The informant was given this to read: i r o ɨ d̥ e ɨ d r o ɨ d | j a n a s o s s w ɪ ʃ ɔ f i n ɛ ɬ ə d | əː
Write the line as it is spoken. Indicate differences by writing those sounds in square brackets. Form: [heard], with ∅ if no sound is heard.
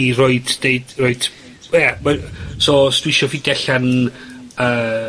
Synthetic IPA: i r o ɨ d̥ e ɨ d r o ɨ d | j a [m] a s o s [t] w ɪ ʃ ɔ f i [d] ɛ ɬ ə [n] | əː